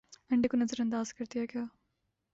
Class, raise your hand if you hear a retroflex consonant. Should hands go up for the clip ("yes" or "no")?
yes